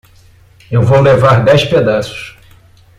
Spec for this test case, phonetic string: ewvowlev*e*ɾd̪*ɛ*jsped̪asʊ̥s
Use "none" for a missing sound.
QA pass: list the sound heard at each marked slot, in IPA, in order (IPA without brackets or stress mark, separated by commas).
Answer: a, ɛ